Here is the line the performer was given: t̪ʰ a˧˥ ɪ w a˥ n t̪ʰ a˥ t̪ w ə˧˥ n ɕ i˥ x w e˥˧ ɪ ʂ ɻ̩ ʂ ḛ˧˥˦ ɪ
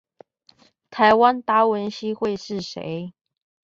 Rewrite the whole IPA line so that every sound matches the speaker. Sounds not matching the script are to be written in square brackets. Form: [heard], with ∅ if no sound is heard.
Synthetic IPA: t̪ʰ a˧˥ ɪ w a˥ n [t̪] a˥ [∅] w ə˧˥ n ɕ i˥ x w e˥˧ ɪ ʂ ɻ̩ ʂ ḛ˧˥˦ ɪ